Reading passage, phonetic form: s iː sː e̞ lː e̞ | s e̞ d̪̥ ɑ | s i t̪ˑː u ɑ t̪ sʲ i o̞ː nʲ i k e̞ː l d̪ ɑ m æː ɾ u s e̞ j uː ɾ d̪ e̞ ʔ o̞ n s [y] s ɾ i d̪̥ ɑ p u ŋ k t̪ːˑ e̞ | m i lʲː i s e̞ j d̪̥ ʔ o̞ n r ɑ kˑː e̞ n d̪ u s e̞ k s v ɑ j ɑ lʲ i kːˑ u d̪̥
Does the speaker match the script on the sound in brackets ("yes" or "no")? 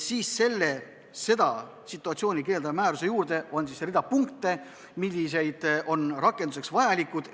no